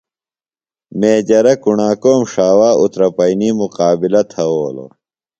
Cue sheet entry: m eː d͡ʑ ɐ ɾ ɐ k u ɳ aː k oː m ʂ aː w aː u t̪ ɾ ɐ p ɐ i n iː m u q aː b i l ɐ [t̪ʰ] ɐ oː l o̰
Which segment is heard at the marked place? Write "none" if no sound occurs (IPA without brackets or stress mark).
t̪ʰ